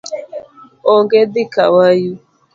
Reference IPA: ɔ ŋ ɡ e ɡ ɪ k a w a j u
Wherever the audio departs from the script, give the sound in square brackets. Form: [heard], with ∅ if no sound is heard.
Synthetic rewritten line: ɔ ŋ ɡ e [d] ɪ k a w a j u